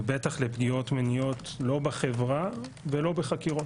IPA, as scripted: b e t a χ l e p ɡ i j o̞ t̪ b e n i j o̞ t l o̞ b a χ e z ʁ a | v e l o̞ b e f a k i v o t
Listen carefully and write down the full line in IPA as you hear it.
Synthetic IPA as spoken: b e t a χ l e p ɡ i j o̞ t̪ m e n i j o̞ t l o̞ b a χ e v ʁ a | v e l o̞ b e χ a k i ʁ o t